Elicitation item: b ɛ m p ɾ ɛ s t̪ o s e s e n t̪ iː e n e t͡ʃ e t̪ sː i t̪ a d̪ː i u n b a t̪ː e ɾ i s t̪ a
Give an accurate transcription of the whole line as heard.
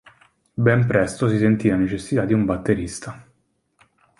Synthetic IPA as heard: b ɛ m p ɾ ɛ s t̪ o s i s e n t̪ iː a n e t͡ʃ e sː i t̪ a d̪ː i u m b a t̪ː e ɾ i s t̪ a